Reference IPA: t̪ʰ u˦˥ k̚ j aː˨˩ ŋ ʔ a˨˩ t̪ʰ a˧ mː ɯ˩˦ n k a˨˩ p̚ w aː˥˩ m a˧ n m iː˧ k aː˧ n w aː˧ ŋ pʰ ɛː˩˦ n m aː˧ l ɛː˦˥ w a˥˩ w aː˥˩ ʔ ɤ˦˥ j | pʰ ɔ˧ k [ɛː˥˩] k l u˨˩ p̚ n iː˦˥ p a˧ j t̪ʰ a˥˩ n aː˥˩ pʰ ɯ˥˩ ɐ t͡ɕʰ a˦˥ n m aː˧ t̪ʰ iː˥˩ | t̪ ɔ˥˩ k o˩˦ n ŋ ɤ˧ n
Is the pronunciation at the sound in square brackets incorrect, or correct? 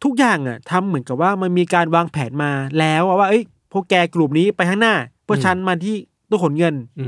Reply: incorrect